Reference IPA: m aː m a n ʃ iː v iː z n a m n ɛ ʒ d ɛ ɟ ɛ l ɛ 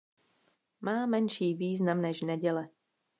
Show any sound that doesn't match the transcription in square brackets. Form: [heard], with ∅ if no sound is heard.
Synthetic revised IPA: m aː m [ɛ] n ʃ iː v iː z n a m n ɛ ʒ [n] ɛ ɟ ɛ l ɛ

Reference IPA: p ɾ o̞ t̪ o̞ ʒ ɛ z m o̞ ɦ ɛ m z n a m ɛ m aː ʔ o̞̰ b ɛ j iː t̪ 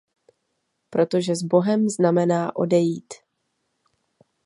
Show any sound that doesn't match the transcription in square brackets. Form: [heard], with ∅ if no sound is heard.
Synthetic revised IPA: p ɾ o̞ t̪ o̞ ʒ ɛ z [b] o̞ ɦ ɛ m z n a m ɛ [n] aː ʔ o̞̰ [d] ɛ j iː t̪

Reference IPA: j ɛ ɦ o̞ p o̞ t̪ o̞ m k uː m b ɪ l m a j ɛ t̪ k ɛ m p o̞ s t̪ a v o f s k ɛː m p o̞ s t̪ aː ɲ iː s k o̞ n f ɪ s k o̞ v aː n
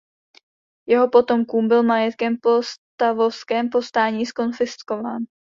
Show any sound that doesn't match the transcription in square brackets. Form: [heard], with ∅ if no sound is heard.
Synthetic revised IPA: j ɛ ɦ o̞ p o̞ t̪ o̞ m k uː m b ɪ l m a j ɛ t̪ k ɛ m p o̞ s t̪ a v o f s k ɛː m p o̞ s t̪ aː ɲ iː s k o̞ n f ɪ s k o̞ v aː n

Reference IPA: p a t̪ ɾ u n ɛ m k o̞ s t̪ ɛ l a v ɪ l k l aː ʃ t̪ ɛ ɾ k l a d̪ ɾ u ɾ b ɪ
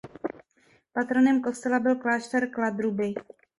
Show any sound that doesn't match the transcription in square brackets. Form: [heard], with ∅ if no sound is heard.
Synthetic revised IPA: p a t̪ ɾ [o] n ɛ m k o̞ s t̪ ɛ l a [b] ɪ l k l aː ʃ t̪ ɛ ɾ k l a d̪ ɾ u [∅] b ɪ

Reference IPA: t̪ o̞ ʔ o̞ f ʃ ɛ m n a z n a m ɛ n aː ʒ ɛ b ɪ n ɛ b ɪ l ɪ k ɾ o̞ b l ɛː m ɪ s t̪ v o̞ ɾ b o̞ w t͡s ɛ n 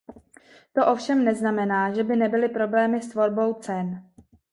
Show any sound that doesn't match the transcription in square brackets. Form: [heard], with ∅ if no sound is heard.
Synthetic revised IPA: t̪ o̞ ʔ o̞ f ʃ ɛ m n [ɛ] z n a m ɛ n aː ʒ ɛ b ɪ n ɛ b ɪ l ɪ [p] ɾ o̞ b l ɛː m ɪ s t̪ v o̞ ɾ b o̞ w t͡s ɛ n

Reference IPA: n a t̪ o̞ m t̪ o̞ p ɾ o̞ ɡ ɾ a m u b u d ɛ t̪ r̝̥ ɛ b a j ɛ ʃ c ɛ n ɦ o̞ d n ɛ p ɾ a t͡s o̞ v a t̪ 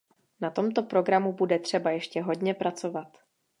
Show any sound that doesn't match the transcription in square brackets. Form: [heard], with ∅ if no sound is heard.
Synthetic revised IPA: n a t̪ o̞ m t̪ o̞ p ɾ o̞ ɡ ɾ a m u b u d ɛ t̪ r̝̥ ɛ b a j ɛ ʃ c ɛ [∅] ɦ o̞ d [ɲ] ɛ p ɾ a t͡s o̞ v a t̪

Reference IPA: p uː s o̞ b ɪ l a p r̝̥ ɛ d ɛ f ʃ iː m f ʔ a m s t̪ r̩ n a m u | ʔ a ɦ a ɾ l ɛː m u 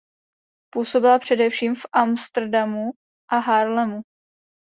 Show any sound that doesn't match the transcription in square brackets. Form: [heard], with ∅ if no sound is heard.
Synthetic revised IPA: p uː s o̞ b ɪ l a p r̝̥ ɛ d ɛ f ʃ iː m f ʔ a m s t̪ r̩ [d] a m u | ʔ a ɦ a ɾ l [ɛ] m u

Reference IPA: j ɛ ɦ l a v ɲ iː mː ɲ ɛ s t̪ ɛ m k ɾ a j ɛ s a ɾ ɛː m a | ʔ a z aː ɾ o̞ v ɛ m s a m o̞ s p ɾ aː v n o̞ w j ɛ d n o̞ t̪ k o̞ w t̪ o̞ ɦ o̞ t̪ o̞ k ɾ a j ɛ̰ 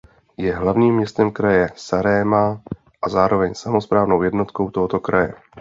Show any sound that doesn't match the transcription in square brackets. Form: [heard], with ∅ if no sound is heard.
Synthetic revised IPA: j ɛ ɦ l a v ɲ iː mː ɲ ɛ s t̪ ɛ m k ɾ a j ɛ s a ɾ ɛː m a | ʔ a z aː ɾ o̞ v ɛ [ɲ] s a m o̞ s p ɾ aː v n o̞ w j ɛ d n o̞ t̪ k o̞ w t̪ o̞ ɦ o̞ t̪ o̞ k ɾ a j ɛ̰

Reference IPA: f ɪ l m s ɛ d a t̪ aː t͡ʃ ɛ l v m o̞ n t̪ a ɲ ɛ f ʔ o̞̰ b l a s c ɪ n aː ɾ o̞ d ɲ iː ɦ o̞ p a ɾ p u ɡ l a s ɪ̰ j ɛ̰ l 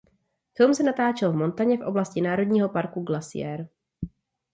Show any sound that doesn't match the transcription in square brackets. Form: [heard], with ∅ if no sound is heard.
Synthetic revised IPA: f ɪ l m s ɛ [n] a t̪ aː t͡ʃ ɛ l v m o̞ n t̪ a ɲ ɛ f ʔ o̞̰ b l a s c ɪ n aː ɾ o̞ d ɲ iː ɦ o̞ p a ɾ [k] u ɡ l a s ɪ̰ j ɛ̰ [ɾ]

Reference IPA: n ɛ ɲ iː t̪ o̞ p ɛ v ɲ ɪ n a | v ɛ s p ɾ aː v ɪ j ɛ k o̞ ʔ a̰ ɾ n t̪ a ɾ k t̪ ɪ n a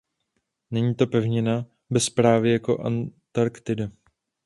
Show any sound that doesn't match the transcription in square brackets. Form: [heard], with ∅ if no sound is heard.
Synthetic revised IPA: n ɛ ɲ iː t̪ o̞ p ɛ v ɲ ɪ n a | [b] ɛ s p ɾ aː v ɪ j [a] k o̞ ʔ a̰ [∅] n t̪ a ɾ k t̪ ɪ [d] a

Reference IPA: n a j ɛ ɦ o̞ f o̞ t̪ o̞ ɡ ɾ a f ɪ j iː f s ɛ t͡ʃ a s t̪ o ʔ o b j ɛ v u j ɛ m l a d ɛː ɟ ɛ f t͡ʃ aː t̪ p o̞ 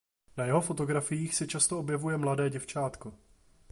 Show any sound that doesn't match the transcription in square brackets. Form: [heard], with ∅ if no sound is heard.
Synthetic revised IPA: n a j ɛ ɦ o̞ f o̞ t̪ o̞ ɡ ɾ a f ɪ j iː [x] s ɛ t͡ʃ a s t̪ o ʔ o b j ɛ v u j ɛ m l a d ɛː ɟ ɛ f t͡ʃ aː t̪ [k] o̞

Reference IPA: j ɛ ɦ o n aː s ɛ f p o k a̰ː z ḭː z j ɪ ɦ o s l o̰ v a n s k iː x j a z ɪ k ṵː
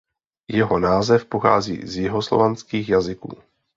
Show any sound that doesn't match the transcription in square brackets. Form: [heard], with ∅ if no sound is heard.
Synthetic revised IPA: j ɛ ɦ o n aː [z] ɛ f p o [x] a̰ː z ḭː z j ɪ ɦ o s l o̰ v a n s k iː x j a z ɪ k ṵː

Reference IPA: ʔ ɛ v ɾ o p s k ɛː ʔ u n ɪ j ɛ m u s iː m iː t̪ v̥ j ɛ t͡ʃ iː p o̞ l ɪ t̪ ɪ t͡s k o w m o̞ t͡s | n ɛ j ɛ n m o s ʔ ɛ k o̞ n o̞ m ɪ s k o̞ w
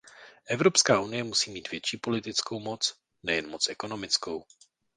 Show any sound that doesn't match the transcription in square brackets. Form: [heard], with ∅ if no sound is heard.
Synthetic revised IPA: ʔ ɛ v ɾ o p s k [aː] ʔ u n ɪ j ɛ m u s iː m iː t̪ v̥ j ɛ t͡ʃ iː p o̞ l ɪ t̪ ɪ t͡s k o w m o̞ t͡s | n ɛ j ɛ n m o [t͡s] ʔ ɛ k o̞ n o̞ m ɪ [t͡s] k o̞ w

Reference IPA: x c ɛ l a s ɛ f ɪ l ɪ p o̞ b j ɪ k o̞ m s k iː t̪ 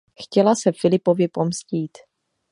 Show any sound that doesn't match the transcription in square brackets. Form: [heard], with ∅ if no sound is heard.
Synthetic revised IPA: x c ɛ l a s ɛ f ɪ l ɪ p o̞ [v] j ɪ [p] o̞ m s [c] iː t̪

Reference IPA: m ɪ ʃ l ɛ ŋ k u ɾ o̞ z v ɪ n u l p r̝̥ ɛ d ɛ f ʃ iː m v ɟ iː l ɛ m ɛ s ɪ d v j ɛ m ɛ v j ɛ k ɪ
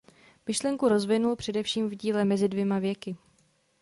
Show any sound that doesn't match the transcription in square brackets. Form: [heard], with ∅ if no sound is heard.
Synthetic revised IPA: m ɪ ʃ l ɛ ŋ k u ɾ o̞ z v ɪ n u l p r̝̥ ɛ d ɛ f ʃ iː m v ɟ iː l ɛ m ɛ [z] ɪ d v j ɛ m [a] v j ɛ k ɪ

